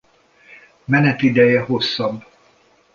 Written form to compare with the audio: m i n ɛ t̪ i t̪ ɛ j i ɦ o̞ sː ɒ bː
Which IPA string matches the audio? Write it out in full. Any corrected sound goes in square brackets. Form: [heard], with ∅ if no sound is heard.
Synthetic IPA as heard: m [ɛ] n ɛ t̪ i [d̪] ɛ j [ɛ] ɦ o̞ sː ɒ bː